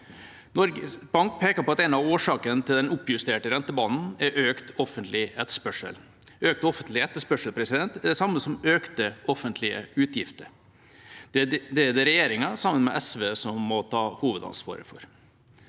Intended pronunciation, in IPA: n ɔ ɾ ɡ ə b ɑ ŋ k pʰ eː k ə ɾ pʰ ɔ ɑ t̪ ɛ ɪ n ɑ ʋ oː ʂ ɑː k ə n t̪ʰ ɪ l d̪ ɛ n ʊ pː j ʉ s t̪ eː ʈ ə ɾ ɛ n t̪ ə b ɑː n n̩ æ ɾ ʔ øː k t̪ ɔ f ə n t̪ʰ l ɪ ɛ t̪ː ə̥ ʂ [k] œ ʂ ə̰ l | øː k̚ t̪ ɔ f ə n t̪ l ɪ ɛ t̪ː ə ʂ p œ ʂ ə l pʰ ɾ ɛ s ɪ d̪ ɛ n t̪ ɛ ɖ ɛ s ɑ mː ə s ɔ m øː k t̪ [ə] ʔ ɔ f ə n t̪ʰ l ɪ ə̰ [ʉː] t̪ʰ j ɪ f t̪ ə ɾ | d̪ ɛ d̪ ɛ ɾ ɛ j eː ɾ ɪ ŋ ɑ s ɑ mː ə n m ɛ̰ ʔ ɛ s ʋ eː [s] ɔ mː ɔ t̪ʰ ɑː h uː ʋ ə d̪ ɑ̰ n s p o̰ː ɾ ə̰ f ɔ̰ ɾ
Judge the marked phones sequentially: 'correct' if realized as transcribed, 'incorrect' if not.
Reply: incorrect: p, correct, correct, correct

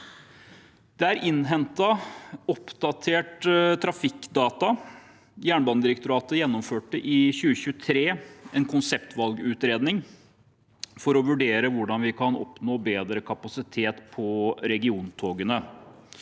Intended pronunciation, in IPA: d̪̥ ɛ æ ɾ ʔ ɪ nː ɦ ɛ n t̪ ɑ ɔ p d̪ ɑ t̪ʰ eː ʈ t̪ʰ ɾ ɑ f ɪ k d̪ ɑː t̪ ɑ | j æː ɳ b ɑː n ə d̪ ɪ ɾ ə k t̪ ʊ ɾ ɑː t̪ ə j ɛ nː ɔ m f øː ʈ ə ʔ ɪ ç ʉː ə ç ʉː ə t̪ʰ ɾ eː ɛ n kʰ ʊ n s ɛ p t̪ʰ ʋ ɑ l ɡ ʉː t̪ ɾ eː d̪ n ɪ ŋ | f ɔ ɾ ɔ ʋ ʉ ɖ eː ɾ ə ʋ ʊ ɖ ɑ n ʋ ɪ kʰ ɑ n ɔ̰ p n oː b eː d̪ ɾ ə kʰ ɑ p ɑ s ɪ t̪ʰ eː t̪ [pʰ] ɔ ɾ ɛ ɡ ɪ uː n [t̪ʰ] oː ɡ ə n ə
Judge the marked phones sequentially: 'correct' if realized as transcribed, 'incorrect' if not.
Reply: correct, correct

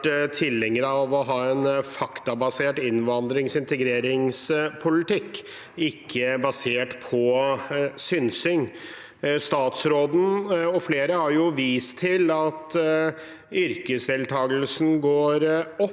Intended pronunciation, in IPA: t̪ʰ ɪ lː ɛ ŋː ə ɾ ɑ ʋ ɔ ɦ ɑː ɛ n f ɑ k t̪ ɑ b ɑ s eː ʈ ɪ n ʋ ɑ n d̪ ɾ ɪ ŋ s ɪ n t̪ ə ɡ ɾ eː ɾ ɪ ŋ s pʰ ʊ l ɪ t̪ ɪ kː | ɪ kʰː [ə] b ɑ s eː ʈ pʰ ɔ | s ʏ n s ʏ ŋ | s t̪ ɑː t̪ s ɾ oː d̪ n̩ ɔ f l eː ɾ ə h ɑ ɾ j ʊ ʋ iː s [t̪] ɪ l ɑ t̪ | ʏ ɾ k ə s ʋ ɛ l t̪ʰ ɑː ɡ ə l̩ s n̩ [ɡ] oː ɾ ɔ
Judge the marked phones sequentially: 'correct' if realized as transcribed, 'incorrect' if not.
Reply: correct, incorrect: t̪ʰ, correct

